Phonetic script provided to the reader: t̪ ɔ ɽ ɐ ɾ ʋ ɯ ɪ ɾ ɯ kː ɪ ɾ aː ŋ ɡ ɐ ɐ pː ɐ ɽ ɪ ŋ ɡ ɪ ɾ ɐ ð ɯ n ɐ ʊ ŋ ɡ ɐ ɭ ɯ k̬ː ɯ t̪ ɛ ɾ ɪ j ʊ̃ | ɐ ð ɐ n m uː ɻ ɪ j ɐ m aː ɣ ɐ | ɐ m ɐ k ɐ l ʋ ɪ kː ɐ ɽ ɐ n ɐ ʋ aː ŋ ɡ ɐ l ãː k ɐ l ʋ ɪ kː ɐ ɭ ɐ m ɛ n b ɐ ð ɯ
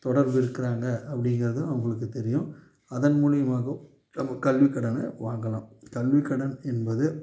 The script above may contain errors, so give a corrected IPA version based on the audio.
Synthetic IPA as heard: t̪ ɔ ɽ ɐ ɾ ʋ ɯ ɪ ɾ ɯ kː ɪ ɾ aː ŋ ɡ ɐ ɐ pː ɐ ɽ ɪ ŋ ɡ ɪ ɾ ɐ ð ɯ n ɐ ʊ ŋ ɡ ɐ ɭ ɯ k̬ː ɯ t̪ ɛ ɾ ɪ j ʊ̃ | ɐ ð ɐ n m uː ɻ ɪ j ɐ m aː ɣ ɐ | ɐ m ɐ k ɐ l ʋ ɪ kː ɐ ɽ ɐ n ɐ ʋ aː ŋ ɡ ɐ l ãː k ɐ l ʋ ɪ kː ɐ ɽ ɐ n ɛ n b ɐ ð ɯ